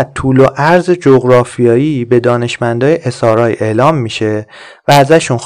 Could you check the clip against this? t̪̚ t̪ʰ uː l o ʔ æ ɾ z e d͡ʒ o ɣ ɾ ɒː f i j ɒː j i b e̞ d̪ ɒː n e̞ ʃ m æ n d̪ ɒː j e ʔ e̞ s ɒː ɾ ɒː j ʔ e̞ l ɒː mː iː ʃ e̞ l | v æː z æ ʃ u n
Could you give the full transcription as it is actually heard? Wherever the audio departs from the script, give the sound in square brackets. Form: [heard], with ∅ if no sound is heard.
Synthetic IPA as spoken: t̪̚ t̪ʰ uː l o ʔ æ ɾ z e d͡ʒ o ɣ ɾ ɒː f i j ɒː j i b e̞ d̪ ɒː n e̞ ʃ m æ n d̪ ɒː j e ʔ e̞ s ɒː ɾ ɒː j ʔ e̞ l ɒː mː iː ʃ e̞ [∅] | v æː z æ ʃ u n